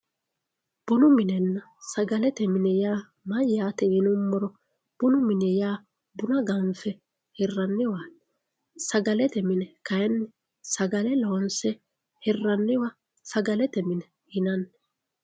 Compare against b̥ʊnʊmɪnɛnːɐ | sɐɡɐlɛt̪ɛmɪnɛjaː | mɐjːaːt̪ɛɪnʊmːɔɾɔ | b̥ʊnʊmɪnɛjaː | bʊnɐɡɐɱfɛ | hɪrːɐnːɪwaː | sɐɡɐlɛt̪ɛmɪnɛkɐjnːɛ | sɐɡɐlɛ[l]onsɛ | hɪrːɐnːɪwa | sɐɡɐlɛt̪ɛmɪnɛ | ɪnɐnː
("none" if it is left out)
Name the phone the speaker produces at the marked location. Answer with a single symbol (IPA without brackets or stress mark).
l